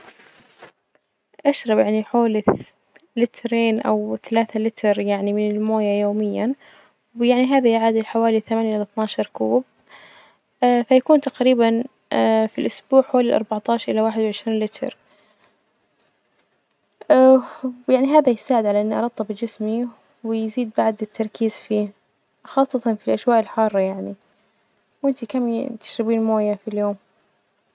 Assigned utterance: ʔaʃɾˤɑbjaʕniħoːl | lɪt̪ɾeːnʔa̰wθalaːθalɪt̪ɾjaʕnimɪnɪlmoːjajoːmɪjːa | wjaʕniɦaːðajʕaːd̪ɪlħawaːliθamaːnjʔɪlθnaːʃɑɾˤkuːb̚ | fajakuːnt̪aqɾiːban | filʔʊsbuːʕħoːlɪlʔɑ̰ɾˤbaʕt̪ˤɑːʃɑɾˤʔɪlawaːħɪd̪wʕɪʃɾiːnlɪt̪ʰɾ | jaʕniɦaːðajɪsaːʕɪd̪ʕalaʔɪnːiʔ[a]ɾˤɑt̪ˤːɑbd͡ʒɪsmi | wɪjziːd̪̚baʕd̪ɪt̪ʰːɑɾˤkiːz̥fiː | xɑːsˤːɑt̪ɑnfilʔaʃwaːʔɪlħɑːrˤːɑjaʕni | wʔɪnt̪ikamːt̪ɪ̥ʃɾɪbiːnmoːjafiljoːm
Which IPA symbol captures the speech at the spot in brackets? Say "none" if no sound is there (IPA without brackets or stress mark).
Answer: ɑ